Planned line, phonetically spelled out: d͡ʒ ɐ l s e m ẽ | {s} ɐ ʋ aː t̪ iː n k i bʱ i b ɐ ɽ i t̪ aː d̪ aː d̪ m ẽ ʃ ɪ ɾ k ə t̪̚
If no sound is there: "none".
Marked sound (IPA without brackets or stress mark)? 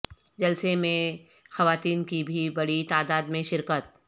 x